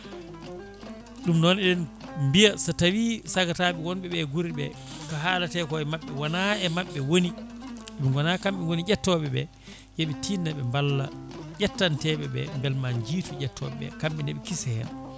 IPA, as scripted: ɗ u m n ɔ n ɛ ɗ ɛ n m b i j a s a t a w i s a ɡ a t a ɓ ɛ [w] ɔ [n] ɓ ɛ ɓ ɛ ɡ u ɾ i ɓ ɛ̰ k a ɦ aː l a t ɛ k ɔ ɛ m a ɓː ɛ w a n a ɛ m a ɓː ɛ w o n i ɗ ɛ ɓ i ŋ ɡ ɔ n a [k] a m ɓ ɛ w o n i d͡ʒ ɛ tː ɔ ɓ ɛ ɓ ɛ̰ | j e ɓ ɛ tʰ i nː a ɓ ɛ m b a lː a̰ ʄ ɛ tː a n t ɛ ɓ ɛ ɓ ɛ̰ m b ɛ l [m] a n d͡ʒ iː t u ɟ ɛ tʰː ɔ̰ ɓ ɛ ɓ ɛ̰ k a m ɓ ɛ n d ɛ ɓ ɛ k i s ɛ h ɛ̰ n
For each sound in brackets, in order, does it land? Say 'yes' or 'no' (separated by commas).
yes, yes, yes, yes